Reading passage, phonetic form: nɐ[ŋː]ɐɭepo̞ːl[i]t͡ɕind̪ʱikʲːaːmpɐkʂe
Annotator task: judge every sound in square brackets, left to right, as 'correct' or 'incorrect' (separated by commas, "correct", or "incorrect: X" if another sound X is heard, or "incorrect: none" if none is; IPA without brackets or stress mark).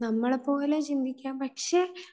incorrect: mː, incorrect: e